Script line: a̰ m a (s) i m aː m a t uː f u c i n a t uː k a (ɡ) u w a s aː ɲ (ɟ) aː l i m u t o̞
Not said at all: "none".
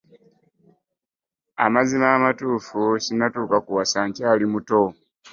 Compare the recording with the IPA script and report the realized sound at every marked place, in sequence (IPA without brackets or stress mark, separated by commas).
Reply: z, k, c